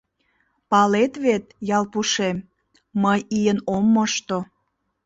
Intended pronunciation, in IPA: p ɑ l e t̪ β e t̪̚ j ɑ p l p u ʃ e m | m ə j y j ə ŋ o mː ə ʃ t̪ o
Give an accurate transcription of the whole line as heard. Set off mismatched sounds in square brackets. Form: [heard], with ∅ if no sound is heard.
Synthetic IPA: p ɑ l e t̪ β e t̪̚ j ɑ [∅] l p u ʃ e m | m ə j [i] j ə [n] o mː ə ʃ t̪ o